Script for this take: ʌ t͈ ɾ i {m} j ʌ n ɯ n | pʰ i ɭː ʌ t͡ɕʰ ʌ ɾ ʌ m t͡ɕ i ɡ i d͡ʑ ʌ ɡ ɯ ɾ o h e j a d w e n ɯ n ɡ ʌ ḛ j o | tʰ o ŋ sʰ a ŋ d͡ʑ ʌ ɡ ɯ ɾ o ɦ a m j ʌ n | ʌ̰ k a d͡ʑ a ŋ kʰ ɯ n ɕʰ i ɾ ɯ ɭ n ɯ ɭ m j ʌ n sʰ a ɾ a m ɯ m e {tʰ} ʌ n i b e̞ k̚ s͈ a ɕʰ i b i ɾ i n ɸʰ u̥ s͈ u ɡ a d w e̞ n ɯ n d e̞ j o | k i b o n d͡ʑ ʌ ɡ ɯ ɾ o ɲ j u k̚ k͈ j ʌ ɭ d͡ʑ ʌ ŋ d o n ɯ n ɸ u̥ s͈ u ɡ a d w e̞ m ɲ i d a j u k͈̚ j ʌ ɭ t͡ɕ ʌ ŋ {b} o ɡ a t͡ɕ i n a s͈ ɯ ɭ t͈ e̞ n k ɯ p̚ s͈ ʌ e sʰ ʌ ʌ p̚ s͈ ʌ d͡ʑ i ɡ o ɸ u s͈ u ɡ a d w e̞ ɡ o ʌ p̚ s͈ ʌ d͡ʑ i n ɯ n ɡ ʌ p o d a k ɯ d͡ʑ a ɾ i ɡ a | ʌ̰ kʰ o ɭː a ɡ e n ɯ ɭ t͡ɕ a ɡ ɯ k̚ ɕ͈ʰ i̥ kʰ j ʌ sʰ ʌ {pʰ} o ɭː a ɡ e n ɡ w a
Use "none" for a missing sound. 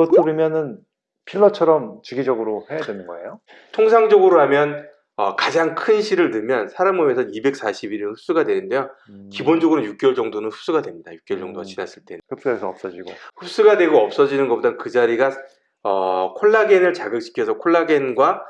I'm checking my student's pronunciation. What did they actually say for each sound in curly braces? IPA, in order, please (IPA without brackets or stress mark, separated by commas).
m, sʰ, d, kʰ